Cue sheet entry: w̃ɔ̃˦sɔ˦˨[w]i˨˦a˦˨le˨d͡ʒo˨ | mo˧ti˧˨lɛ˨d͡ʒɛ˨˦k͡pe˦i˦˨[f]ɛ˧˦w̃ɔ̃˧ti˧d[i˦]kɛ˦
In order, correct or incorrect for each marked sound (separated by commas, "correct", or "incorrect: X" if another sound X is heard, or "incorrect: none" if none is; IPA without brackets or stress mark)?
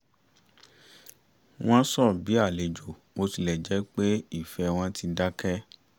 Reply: incorrect: b, correct, incorrect: a˦